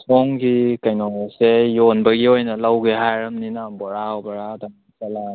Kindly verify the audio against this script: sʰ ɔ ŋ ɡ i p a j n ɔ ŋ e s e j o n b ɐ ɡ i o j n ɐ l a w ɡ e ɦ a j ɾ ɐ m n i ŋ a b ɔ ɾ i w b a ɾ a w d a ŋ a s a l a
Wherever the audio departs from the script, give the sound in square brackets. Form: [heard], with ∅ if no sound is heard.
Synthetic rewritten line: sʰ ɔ ŋ ɡ i [k] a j n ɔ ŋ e s e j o n b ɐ ɡ i o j n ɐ l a w ɡ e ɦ a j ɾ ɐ m n i [n] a b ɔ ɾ [a] w b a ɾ a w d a ŋ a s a l a